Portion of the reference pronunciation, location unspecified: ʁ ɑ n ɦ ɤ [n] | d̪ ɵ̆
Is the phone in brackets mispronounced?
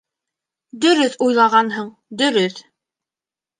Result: yes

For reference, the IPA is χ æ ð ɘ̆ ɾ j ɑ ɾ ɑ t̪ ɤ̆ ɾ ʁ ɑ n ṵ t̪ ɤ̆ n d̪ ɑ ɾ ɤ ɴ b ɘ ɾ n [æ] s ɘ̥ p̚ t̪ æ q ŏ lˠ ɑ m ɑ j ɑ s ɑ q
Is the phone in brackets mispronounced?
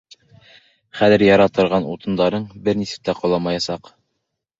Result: yes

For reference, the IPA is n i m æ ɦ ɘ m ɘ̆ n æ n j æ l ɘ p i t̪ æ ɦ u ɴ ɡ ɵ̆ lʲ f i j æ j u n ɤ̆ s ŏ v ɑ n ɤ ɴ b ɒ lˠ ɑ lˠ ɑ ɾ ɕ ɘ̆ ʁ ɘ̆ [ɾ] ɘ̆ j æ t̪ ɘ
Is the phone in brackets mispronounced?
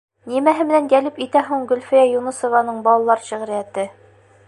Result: no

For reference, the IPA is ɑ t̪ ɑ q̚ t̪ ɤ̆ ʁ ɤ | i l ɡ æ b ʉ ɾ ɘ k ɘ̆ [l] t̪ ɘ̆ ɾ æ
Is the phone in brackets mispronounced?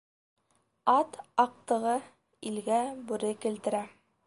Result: no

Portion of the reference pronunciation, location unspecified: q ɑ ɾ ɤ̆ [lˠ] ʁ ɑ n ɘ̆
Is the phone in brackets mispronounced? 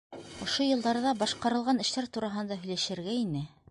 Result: no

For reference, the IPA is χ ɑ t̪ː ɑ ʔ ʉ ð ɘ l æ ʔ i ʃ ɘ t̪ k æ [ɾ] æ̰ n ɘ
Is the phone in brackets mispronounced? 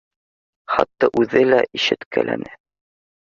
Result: yes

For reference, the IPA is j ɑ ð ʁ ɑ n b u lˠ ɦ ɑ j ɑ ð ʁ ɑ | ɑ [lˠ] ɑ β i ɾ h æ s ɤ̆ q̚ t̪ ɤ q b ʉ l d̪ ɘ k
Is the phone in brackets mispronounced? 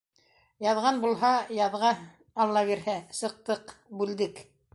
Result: yes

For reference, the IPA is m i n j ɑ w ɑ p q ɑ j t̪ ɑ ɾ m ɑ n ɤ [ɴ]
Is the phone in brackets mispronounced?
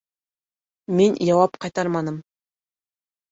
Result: yes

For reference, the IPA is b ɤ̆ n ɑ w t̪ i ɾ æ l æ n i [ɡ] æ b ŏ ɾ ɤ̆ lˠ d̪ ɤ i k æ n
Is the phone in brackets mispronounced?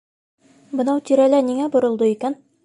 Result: yes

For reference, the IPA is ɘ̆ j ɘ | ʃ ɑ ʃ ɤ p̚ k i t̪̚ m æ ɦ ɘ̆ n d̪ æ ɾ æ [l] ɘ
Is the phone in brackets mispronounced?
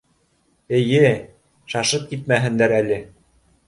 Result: no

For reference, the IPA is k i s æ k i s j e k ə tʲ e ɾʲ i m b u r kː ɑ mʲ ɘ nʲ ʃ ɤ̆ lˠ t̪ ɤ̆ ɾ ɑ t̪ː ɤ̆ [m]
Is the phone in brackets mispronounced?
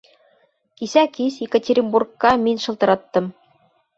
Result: no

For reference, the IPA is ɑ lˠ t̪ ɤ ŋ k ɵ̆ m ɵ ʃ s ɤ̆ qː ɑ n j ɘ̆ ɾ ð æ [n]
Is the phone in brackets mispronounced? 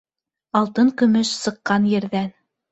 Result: no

